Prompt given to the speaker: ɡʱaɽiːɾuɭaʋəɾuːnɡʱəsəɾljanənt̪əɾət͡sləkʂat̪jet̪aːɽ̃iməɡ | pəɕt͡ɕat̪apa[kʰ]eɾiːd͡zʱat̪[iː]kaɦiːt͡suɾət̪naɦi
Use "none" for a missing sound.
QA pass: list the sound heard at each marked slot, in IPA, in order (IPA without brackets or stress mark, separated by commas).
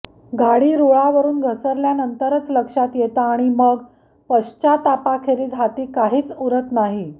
kʰ, iː